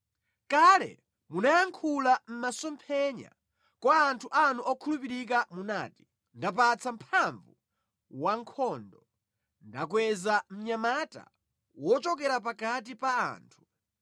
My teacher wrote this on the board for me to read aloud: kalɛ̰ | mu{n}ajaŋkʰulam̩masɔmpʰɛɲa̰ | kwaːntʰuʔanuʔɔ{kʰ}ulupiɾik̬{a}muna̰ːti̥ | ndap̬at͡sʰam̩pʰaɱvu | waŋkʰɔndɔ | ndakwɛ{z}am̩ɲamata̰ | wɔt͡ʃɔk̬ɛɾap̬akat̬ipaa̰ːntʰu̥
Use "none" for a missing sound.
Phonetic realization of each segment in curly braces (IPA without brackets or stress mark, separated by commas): n, kʰ, a, z